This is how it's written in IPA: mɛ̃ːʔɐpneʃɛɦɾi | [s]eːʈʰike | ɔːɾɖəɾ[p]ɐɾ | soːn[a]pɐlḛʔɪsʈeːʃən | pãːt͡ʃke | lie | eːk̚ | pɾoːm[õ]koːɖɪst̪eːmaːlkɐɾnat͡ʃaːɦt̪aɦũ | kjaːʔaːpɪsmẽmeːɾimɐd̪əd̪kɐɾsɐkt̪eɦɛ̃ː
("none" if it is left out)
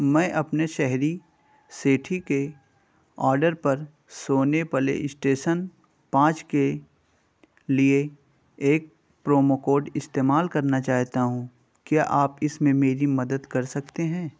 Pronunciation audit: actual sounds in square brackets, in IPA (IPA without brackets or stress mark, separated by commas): s, p, e, o